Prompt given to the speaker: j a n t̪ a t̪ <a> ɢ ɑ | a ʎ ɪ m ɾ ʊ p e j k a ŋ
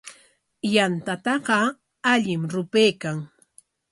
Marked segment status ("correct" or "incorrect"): incorrect